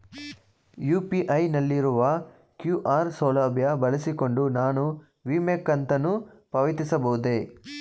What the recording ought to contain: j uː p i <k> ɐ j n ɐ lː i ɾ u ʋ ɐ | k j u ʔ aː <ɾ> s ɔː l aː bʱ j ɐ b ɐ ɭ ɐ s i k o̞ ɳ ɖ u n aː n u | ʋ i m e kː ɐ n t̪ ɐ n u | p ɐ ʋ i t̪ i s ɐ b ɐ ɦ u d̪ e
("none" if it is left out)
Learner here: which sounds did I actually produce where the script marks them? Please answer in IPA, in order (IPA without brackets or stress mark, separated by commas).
ʔ, ɾ